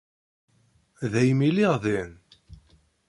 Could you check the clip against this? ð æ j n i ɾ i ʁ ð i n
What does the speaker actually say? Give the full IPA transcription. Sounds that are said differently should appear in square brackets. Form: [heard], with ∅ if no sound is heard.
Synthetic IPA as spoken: ð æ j [m] i [l] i ʁ ð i n